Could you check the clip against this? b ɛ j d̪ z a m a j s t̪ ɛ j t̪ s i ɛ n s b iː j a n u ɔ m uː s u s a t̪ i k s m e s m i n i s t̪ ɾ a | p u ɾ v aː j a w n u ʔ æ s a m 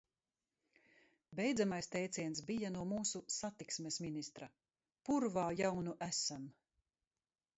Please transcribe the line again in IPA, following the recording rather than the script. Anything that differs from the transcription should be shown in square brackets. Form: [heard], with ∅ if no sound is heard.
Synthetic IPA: b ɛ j d̪ z a m a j s t̪ ɛ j t̪ s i ɛ n s b [i] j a n u ɔ m uː s u s a t̪ i k s m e s m i n i s t̪ ɾ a | p u ɾ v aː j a w n u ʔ æ s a m